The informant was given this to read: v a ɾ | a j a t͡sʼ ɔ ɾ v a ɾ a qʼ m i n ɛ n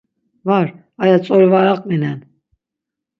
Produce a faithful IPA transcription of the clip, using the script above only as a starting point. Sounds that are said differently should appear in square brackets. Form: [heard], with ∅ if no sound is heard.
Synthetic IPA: v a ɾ | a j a t͡sʼ ɔ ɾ v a ɾ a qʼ m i n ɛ n